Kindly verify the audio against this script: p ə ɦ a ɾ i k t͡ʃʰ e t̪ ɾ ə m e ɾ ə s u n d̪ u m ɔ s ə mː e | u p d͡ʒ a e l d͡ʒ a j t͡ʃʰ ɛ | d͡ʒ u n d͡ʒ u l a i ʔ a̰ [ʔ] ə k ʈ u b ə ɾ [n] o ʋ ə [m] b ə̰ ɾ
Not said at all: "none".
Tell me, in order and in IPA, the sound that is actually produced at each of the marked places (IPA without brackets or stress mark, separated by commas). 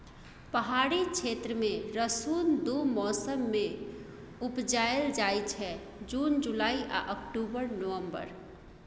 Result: ʔ, n, m